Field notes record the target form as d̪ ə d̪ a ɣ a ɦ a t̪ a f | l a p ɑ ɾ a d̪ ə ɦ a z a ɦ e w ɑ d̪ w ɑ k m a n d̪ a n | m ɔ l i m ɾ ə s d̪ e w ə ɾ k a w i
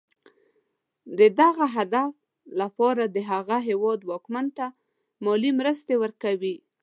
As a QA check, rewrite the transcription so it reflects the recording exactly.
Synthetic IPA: d̪ ə d̪ a ɣ a ɦ a d̪ a f | l a p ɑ ɾ a d̪ ə ɦ a ɣ a ɦ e w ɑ d̪ w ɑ k m a n t̪ a | m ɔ l i m ɾ ə s t̪ e w ə ɾ k a w i